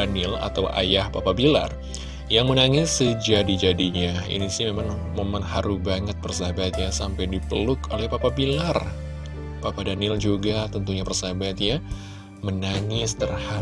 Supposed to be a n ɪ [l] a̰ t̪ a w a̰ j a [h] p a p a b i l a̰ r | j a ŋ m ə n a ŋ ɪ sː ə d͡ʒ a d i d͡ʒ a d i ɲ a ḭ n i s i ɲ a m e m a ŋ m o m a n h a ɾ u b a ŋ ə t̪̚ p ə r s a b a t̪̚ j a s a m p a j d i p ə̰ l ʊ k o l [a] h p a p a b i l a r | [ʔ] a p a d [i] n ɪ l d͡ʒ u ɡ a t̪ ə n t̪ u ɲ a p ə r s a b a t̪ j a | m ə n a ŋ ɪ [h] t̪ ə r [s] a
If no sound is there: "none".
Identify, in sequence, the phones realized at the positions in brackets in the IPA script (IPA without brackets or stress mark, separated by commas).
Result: l, h, ɛ, p, a, s, h